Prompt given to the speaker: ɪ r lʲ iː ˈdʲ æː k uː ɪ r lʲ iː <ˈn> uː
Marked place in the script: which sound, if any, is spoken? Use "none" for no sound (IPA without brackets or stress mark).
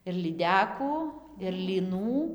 n